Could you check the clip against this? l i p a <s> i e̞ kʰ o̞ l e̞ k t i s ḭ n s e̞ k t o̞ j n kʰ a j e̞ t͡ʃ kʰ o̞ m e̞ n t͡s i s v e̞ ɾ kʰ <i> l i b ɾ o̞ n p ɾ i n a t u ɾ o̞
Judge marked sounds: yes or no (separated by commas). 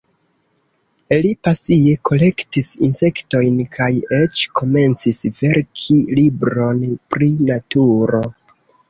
yes, yes